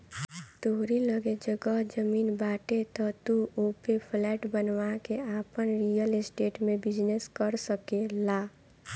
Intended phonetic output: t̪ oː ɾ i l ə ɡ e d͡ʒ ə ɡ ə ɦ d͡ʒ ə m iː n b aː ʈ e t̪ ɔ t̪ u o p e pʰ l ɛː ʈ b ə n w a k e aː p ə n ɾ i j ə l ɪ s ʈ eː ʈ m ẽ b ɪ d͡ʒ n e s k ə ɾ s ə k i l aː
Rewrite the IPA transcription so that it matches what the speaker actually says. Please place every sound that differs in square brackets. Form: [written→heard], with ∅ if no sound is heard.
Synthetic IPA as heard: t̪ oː ɾ i l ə ɡ e d͡ʒ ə ɡ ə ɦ d͡ʒ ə m iː n b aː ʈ e t̪ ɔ t̪ u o p e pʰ l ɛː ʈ b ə n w a k e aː p ə n ɾ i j ə l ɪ s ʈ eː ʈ m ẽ b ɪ d͡ʒ n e s k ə ɾ s ə k [i→e] l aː